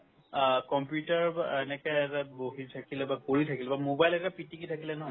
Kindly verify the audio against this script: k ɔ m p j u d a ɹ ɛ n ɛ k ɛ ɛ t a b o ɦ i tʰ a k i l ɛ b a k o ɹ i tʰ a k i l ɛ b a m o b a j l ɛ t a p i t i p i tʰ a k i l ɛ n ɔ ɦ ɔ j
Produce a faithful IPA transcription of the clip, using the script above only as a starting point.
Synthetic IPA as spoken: k ɔ m p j u t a ɹ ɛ n ɛ k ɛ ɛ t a b o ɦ i tʰ a k i l ɛ b a k o ɹ i tʰ a k i l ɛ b a m o b a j l ɛ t a p i t i k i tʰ a k i l ɛ n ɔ ɦ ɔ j